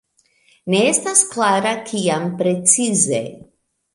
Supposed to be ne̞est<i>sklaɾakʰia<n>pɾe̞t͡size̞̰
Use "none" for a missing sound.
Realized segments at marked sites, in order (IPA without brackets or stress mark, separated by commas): a, m